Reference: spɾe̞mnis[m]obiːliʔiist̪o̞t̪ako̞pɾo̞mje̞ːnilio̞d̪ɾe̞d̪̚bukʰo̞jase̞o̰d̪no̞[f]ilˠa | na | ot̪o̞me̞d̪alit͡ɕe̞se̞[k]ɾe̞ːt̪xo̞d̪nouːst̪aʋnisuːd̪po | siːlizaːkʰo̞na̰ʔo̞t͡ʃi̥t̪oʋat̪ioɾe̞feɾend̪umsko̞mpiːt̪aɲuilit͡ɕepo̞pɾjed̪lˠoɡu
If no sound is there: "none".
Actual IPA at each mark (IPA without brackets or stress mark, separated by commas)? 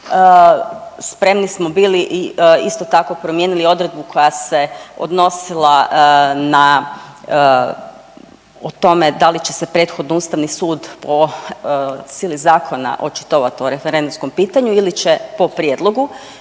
m, s, p